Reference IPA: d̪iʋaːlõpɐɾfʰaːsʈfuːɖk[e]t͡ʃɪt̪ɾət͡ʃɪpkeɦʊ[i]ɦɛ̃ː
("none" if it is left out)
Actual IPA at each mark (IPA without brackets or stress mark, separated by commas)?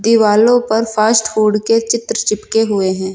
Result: e, e